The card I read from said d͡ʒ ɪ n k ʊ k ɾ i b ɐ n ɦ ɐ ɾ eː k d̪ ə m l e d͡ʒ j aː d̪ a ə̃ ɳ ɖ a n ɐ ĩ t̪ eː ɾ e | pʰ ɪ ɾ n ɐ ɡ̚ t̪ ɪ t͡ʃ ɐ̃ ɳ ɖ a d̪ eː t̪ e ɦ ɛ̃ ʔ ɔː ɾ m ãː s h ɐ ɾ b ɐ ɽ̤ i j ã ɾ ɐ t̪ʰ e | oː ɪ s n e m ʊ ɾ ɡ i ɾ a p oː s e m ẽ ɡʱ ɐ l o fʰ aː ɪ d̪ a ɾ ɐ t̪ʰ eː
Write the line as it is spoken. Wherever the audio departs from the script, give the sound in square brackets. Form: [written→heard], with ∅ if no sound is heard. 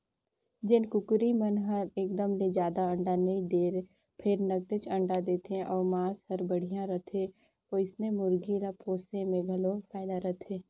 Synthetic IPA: d͡ʒ ɪ n k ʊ k ɾ i [b→m] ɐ n ɦ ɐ ɾ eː k d̪ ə m l e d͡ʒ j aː d̪ a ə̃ ɳ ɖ a n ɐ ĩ [t̪→d̪] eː ɾ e | pʰ ɪ ɾ n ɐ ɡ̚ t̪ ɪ t͡ʃ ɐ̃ ɳ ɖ a d̪ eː t̪ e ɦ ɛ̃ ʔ ɔː ɾ m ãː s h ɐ ɾ b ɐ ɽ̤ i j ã ɾ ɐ t̪ʰ e | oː ɪ s n e m ʊ ɾ ɡ i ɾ a p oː s e m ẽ ɡʱ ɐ l o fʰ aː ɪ d̪ a ɾ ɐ t̪ʰ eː